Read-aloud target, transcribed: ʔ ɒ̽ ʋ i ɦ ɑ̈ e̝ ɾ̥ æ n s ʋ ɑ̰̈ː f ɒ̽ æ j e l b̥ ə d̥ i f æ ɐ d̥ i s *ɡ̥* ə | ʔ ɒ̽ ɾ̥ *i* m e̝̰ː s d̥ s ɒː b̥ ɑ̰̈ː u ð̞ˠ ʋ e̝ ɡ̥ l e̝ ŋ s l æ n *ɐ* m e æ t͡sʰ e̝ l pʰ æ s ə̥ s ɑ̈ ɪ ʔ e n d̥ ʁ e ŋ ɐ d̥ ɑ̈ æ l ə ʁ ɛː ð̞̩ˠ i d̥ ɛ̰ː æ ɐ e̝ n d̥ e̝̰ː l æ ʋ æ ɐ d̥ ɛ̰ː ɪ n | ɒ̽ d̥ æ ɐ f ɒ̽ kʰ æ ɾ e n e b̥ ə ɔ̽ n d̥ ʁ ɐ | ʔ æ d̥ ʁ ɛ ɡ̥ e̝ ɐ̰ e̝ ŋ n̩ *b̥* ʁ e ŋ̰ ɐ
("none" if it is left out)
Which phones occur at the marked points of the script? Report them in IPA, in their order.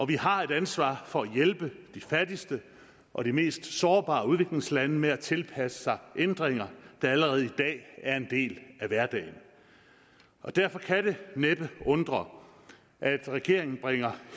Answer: d̥, i, ə, b̥

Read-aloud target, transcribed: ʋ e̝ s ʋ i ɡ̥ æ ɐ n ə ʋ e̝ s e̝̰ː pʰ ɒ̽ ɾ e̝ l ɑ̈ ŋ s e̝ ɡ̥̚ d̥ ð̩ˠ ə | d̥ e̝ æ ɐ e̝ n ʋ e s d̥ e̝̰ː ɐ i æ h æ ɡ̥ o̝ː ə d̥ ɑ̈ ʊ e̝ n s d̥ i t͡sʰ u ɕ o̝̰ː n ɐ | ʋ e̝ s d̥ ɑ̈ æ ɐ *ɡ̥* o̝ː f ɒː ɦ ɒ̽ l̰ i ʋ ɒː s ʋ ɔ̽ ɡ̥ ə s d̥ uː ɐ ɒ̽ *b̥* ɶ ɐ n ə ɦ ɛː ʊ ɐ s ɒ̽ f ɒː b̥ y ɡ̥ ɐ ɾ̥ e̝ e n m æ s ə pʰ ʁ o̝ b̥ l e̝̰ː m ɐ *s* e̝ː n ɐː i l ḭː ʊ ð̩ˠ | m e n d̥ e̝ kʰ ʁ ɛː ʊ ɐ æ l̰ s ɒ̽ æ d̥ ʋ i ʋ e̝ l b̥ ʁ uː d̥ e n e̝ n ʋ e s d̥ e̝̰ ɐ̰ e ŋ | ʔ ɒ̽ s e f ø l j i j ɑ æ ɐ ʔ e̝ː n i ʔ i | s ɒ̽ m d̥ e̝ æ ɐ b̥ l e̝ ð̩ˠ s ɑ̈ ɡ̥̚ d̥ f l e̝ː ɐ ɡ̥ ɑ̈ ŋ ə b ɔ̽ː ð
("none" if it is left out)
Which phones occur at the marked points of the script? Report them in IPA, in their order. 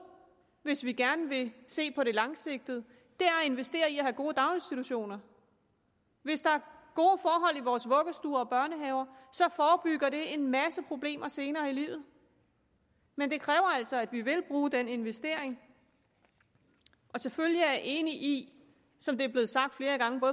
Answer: ɡ̥, b̥, s

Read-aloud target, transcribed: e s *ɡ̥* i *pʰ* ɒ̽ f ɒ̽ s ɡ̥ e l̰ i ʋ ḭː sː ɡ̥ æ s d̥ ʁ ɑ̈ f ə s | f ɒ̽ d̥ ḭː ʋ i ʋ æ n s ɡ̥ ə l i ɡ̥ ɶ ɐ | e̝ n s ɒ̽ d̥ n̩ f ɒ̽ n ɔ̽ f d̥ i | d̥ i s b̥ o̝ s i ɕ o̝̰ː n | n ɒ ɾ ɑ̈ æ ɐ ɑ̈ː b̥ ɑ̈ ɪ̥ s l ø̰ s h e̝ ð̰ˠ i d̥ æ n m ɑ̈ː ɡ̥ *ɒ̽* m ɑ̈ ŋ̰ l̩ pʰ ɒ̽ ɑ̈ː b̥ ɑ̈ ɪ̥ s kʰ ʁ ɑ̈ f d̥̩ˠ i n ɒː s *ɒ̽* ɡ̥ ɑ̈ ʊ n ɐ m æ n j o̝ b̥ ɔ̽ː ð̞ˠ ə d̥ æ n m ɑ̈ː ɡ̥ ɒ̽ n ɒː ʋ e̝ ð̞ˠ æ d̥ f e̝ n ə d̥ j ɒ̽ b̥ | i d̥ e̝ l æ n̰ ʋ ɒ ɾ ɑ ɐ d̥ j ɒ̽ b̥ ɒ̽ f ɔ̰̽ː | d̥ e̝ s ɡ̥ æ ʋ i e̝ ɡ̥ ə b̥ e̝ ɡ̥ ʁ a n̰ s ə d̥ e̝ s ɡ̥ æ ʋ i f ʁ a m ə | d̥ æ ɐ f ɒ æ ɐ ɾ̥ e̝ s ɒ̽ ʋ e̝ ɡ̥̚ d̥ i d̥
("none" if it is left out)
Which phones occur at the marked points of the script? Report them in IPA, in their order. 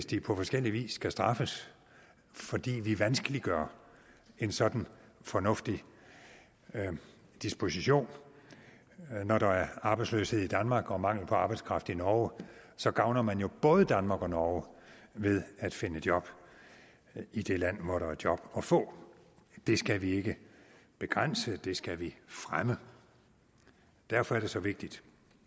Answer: d̥, pʰ, ɒ̽, ɒ̽

